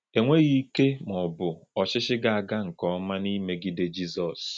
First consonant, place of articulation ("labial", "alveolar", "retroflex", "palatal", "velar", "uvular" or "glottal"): velar